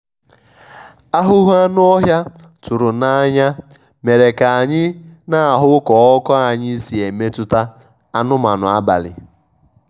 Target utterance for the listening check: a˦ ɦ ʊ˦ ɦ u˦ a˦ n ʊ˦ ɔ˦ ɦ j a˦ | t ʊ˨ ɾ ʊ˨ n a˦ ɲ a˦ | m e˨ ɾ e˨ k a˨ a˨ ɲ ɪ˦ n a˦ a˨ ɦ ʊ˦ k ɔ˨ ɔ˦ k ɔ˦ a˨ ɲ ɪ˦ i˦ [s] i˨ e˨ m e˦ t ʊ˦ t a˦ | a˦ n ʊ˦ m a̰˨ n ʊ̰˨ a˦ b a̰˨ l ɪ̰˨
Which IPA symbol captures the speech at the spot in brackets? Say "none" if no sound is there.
s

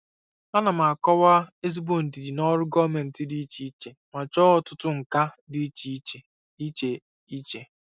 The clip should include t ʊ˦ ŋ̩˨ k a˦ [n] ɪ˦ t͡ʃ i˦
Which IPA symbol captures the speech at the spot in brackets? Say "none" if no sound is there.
d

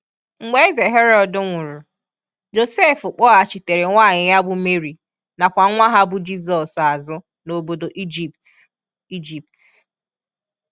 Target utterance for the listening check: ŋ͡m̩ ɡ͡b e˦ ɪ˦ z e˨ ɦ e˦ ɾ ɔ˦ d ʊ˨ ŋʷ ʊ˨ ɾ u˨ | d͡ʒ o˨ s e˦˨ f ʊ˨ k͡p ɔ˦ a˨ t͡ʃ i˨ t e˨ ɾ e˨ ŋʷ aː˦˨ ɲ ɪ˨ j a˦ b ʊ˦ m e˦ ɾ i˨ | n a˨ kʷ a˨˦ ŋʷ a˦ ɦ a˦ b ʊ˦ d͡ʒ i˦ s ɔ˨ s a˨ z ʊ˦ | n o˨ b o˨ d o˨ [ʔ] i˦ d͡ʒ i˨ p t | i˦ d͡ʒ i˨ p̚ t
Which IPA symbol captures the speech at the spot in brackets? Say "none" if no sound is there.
ʔ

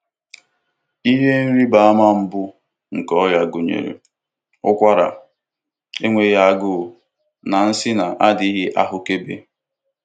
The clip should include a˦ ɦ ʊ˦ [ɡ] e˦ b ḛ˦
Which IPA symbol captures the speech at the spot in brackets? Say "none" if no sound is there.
k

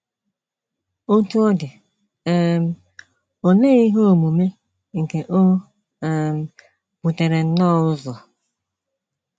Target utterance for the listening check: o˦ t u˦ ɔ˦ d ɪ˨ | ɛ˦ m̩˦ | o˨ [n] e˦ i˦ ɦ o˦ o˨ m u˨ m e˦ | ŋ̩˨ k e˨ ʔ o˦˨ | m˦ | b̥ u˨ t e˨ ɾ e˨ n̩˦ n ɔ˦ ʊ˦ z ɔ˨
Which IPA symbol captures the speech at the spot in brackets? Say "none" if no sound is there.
n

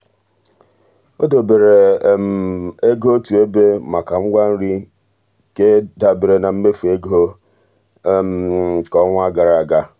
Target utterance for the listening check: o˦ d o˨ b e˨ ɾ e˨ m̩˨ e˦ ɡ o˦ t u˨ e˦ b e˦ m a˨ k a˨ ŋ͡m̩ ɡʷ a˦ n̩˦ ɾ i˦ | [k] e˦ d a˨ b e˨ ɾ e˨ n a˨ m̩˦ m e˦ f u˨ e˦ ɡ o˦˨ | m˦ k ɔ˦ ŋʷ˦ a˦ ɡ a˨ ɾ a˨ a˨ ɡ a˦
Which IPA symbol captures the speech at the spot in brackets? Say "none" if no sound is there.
k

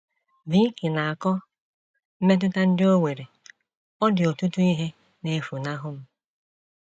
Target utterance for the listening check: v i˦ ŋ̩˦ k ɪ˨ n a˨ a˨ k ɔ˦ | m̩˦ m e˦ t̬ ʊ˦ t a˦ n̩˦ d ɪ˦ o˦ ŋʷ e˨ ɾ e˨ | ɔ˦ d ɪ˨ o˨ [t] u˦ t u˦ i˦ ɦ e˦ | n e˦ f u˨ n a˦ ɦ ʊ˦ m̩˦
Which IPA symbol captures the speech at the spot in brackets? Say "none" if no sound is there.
t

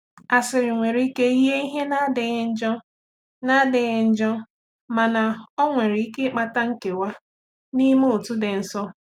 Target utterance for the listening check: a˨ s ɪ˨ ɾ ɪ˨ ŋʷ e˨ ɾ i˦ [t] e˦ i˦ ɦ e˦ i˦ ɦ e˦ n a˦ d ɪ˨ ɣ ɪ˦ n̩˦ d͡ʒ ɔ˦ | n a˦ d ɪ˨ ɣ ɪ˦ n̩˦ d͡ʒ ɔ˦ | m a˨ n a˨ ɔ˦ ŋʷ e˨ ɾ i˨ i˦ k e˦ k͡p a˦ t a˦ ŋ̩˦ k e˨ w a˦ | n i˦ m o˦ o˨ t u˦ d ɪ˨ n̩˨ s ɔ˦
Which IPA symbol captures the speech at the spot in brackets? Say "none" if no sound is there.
k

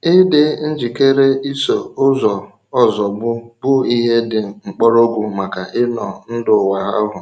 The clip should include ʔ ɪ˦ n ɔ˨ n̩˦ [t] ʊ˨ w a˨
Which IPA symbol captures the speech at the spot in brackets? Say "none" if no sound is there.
d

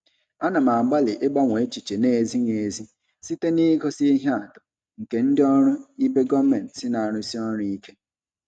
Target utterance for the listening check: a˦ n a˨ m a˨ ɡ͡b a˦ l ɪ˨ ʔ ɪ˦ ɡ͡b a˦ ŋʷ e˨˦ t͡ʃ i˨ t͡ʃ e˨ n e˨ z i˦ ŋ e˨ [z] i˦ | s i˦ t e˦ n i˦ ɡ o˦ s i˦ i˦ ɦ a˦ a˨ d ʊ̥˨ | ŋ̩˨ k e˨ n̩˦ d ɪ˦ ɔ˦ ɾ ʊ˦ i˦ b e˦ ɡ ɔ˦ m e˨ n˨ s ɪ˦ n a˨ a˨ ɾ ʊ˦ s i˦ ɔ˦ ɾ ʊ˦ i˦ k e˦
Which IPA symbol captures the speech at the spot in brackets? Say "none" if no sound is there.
z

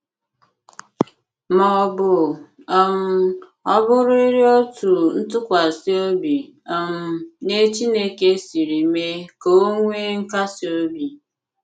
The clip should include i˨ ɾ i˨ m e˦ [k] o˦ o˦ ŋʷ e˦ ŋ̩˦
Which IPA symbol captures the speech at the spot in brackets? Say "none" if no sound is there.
k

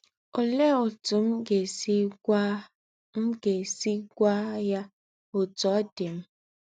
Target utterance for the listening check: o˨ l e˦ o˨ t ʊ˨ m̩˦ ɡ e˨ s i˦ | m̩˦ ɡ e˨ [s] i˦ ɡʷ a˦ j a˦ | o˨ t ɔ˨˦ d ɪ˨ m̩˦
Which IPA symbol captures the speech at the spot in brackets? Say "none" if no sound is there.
s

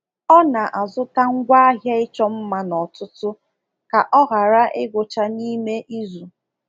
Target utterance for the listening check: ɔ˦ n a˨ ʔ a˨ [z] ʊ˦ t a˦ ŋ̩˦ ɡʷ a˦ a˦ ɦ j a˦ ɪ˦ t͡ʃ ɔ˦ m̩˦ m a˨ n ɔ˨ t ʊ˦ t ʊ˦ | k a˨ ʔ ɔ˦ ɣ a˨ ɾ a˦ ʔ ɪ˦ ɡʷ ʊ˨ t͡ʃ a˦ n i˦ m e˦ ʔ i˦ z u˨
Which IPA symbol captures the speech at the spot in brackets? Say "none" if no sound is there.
z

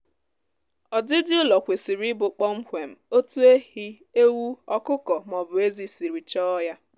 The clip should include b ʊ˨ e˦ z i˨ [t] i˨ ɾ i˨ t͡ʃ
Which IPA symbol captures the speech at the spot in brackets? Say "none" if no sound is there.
s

